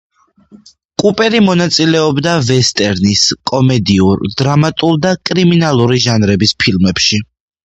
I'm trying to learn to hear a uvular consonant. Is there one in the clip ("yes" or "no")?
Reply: no